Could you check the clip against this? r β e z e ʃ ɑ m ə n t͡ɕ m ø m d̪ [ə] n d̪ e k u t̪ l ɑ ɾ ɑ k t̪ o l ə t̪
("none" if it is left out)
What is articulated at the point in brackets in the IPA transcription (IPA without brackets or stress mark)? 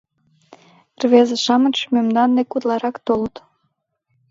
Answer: ɑ